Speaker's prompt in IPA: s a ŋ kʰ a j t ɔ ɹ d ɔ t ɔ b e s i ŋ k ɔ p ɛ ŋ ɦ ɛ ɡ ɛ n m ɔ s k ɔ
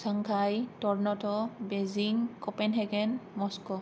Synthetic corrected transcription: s a ŋ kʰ a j t ɔ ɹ n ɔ t ɔ b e z i ŋ k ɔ p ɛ n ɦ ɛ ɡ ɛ n m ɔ s k ɔ